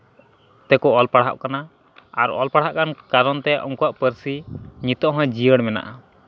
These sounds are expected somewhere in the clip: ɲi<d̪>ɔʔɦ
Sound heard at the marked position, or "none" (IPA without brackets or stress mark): t̪